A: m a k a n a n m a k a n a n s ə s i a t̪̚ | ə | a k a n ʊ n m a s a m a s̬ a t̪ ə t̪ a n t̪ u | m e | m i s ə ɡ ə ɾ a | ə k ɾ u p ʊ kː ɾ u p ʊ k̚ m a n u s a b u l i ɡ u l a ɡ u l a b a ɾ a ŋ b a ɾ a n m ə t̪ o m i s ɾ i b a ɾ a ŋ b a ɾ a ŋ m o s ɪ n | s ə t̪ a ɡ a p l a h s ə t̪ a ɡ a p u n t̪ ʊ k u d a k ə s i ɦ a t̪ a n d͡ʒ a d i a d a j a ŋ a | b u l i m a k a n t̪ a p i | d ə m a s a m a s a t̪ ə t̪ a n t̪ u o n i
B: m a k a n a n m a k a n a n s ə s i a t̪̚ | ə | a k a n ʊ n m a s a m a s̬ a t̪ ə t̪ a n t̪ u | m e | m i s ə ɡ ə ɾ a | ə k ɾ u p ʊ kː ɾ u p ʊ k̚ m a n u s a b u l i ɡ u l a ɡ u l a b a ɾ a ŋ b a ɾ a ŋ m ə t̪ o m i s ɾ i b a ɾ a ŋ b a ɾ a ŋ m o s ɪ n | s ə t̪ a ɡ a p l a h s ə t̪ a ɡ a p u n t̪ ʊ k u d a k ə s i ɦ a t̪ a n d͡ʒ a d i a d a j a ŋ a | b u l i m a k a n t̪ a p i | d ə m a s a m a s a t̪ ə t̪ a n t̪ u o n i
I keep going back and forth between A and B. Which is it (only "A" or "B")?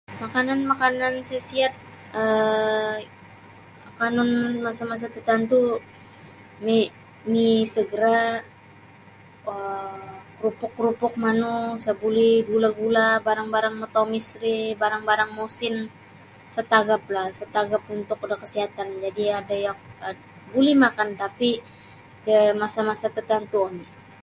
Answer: B